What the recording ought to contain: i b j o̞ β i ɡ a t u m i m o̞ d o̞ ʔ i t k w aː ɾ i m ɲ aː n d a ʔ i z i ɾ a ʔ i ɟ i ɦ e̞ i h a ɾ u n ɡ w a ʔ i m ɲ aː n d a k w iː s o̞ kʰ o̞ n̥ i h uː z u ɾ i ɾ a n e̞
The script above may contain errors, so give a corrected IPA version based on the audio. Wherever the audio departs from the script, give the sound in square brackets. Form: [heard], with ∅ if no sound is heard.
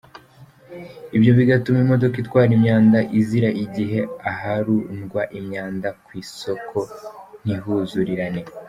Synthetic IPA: i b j o̞ β i ɡ a t u m i m o̞ d o̞ [k] i t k w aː ɾ i m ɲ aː n d a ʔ i z i ɾ a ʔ i ɟ i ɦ e̞ [a] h a ɾ u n ɡ w a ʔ i m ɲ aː n d a k w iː s o̞ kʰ o̞ n̥ i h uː z u ɾ i ɾ a n e̞